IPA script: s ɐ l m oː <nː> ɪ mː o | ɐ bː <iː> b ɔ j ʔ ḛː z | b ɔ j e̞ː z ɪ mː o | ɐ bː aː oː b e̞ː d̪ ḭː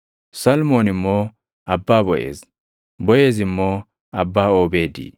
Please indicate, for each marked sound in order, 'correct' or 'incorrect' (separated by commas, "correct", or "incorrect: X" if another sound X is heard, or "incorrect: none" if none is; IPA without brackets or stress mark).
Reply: incorrect: n, incorrect: aː